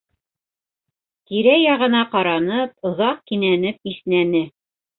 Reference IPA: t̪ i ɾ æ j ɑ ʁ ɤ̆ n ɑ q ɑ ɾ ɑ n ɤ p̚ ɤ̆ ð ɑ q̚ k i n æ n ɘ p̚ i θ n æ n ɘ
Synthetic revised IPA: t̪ i ɾ æ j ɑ ʁ ɤ̆ n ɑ q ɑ ɾ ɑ n ɤ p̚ ŏ ð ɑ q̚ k i n æ n ɘ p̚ i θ n æ n ɘ